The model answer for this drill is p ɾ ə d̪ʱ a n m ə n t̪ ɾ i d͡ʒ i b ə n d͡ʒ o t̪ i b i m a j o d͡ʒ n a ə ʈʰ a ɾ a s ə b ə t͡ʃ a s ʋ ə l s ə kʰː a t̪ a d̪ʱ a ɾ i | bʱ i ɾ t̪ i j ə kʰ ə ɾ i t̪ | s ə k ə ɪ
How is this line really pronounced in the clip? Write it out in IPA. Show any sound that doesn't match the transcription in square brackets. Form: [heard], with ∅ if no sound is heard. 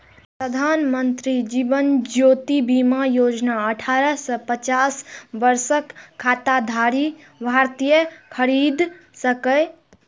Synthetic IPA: p ɾ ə d̪ʱ a n m ə n t̪ ɾ i d͡ʒ i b ə n d͡ʒ o t̪ i b i m a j o d͡ʒ n a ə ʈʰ a ɾ [ə] s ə [p] ə t͡ʃ a s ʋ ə [ɾ] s ə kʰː a t̪ a d̪ʱ a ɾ i | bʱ [a] ɾ t̪ i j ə kʰ ə ɾ i [d̪] | s ə k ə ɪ